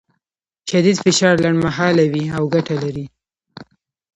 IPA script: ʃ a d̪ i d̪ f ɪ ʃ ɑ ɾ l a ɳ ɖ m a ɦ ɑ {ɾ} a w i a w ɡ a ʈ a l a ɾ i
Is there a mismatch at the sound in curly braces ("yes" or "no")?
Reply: yes